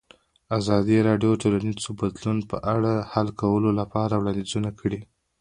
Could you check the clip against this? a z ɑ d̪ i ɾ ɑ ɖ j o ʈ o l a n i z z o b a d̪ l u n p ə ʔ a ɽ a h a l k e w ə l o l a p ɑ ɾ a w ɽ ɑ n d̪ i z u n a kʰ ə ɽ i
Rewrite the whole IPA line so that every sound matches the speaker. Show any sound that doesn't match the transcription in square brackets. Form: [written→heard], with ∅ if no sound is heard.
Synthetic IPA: a z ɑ d̪ i ɾ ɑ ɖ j o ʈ o l a n i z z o b a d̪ l u n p ə ʔ a ɽ a h a l k [e→a] w ə l o l a p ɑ ɾ a w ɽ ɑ n d̪ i z u n a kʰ ə ɽ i